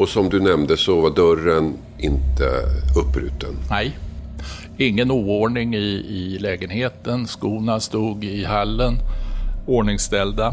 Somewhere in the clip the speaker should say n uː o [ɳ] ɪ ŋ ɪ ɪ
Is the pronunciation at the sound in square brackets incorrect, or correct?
correct